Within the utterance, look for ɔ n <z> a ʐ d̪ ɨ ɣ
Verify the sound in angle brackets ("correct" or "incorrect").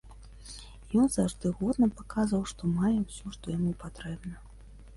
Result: correct